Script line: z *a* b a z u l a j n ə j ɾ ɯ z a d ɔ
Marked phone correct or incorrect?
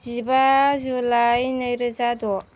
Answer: incorrect